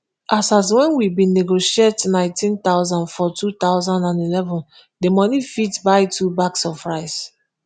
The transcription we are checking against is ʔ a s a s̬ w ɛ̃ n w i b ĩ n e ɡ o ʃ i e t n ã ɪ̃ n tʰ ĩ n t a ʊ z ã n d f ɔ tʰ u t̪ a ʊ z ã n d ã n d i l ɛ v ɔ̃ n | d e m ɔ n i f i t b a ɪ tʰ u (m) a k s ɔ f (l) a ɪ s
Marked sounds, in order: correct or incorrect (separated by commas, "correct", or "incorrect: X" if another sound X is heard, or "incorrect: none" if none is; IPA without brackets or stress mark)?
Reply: incorrect: b, incorrect: ɹ